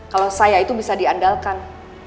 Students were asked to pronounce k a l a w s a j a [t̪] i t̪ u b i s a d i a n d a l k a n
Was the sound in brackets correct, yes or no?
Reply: no